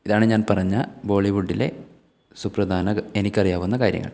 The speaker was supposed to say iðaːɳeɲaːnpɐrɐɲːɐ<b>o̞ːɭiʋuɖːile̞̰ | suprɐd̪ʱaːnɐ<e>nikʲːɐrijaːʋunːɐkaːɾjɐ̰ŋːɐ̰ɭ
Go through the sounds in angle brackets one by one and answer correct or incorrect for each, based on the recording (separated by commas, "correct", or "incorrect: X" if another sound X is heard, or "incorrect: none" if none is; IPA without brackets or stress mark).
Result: correct, correct